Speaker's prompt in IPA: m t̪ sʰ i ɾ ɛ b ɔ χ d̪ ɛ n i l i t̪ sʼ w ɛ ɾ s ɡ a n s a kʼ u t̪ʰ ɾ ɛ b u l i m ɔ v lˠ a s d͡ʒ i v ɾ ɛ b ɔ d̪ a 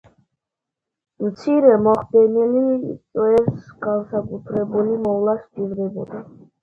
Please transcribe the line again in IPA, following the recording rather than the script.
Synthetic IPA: m t̪ sʰ i ɾ ɛ m ɔ χ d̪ ɛ n i l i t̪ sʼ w ɛ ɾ s ɡ a n s a kʼ u t̪ʰ ɾ ɛ b u l i m ɔ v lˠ a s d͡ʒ i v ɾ ɛ b ɔ d̪ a